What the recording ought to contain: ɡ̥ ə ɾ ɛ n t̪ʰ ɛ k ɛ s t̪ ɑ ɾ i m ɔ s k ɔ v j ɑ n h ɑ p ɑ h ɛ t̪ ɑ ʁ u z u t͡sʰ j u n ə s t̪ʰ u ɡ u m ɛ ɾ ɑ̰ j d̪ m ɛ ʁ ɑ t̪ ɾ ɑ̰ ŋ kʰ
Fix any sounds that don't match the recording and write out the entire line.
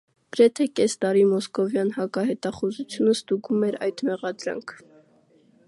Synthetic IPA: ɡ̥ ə ɾ ɛ t̪ʰ ɛ k ɛ s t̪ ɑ ɾ i m ɔ s k ɔ v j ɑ n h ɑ k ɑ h ɛ t̪ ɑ χ u z u t͡sʰ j u n ə s t̪ u ɡ u m ɛ ɾ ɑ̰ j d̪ m ɛ ʁ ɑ d̪ ɾ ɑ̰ ŋ kʰ